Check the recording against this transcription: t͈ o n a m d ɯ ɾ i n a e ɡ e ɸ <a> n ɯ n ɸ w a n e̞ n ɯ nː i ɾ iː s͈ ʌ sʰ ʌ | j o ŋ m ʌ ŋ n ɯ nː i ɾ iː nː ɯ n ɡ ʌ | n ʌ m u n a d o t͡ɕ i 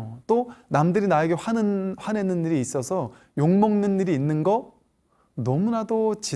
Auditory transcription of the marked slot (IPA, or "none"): a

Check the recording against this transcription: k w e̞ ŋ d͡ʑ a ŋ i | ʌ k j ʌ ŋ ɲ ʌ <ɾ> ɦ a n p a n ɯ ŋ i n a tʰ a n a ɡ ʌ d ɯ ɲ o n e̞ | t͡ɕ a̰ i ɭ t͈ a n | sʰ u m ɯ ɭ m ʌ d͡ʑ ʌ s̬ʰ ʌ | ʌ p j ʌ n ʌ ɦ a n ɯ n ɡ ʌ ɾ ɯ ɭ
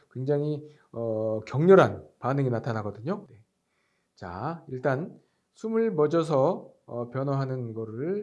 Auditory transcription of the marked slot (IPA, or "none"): ɾ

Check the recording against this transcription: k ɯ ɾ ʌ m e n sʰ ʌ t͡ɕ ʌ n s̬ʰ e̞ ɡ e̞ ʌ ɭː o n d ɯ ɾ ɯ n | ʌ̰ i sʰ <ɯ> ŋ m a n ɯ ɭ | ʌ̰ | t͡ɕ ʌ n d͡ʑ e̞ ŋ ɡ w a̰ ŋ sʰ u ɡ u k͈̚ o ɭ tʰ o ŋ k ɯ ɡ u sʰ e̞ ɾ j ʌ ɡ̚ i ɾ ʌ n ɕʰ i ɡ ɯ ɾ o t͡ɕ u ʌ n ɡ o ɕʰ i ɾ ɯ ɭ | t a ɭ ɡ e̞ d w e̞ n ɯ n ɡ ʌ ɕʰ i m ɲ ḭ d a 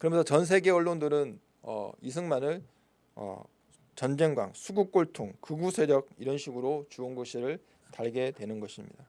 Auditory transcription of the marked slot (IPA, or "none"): ɯ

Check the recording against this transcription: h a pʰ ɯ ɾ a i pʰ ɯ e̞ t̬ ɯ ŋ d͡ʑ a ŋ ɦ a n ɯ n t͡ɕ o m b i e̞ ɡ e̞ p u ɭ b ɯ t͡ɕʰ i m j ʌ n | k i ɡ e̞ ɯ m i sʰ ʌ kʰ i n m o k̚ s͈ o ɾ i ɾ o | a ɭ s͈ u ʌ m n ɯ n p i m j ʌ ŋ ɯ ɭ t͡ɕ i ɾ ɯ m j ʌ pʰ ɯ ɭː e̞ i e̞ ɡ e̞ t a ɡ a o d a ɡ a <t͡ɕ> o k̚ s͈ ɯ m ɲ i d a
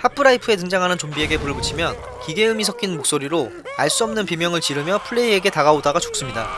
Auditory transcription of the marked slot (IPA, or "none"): t͡ɕ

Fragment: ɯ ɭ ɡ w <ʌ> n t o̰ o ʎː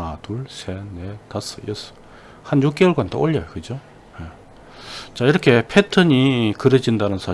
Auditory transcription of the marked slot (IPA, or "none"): a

